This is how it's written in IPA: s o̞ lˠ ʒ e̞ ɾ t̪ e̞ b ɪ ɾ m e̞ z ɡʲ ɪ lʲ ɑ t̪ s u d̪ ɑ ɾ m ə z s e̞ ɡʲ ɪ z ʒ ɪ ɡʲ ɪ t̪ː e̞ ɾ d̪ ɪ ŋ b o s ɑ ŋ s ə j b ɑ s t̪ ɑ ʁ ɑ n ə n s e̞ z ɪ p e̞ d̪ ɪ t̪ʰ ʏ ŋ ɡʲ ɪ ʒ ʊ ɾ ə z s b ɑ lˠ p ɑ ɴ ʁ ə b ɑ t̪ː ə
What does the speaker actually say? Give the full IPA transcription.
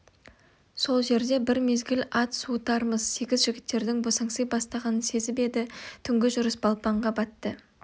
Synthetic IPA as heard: s o̞ lˠ ʒ e̞ ɾ d̪ e̞ b ɪ ɾ m e̞ z ɡʲ ɪ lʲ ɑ t̪ s u t̪ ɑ ɾ m ə z s e̞ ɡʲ ɪ z ʒ ɪ ɡʲ ɪ t̪ː e̞ ɾ d̪ ɪ ŋ b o s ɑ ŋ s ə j b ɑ s t̪ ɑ ʁ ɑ n ə n s e̞ z ɪ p e̞ d̪ ɪ t̪ʰ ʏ ŋ ɡʲ ɪ ʒ ʊ ɾ ə s b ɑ lˠ p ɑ ɴ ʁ ɑ b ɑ t̪ː ə